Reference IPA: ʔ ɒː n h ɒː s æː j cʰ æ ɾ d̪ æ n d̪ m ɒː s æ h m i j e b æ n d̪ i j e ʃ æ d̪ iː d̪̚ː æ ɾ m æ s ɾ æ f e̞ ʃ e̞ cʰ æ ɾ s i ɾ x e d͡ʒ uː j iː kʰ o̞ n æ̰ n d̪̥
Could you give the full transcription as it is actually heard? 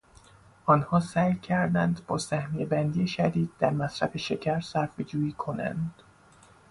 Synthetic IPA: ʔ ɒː n h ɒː s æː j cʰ æ ɾ d̪ æ n d̪ b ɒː s æ h m i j e b æ n d̪ i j e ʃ æ d̪ iː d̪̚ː æ ɾ m æ s ɾ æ f e̞ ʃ e̞ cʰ æ ɾ s æ ɾ f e d͡ʒ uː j iː kʰ o̞ n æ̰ n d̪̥